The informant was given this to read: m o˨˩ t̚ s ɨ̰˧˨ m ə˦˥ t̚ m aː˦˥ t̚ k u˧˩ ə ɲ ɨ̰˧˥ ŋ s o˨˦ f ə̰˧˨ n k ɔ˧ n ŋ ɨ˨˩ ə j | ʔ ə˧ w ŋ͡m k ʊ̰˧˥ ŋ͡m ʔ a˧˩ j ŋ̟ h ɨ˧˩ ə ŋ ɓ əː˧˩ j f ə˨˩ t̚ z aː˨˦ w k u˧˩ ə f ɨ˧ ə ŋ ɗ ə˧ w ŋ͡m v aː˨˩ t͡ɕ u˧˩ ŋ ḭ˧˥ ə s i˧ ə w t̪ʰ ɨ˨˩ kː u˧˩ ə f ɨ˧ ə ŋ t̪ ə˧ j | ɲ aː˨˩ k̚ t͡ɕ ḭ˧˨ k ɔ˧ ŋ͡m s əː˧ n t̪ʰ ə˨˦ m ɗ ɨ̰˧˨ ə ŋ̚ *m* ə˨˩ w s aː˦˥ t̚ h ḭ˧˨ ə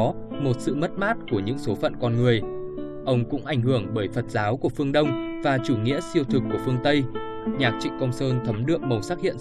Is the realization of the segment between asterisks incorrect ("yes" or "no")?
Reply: no